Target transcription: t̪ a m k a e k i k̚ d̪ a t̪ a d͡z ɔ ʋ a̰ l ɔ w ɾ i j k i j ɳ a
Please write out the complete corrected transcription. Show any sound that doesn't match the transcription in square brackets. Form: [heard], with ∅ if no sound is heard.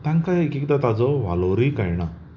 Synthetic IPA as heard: t̪ a [ŋ] k a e k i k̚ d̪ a t̪ a d͡z ɔ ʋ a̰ l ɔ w ɾ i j k [a] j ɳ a